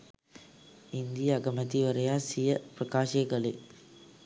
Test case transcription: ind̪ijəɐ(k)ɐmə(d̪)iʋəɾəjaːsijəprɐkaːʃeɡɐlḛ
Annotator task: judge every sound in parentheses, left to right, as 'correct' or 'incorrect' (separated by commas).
incorrect, incorrect